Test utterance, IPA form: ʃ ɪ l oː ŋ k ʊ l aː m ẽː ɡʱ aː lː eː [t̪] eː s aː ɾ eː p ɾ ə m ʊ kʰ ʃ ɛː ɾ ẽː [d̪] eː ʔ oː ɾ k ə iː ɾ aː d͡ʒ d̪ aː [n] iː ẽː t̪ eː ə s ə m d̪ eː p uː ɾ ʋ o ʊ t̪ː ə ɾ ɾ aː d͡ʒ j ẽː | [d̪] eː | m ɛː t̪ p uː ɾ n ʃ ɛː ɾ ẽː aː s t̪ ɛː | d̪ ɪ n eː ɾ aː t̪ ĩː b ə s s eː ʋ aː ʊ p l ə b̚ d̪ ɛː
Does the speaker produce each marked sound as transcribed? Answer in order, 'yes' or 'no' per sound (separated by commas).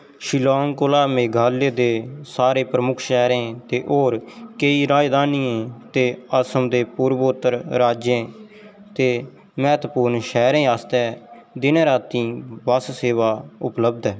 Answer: no, no, yes, no